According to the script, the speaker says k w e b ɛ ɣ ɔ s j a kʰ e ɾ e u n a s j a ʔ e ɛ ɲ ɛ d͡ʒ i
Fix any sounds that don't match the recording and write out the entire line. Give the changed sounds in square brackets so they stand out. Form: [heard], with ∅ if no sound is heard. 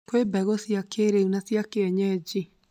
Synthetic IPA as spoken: k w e b ɛ ɣ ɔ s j a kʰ e ɾ e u n a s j a [k] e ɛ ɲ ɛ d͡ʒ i